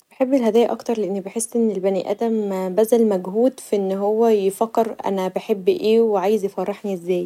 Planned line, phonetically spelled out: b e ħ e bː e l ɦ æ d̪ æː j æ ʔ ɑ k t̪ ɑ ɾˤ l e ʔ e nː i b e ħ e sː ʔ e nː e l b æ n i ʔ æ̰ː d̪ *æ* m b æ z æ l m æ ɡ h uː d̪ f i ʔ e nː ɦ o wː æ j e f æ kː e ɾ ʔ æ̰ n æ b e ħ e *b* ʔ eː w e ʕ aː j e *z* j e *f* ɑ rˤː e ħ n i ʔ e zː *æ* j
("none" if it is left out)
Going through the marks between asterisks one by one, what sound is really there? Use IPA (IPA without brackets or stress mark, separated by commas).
æ, bː, z, f, æː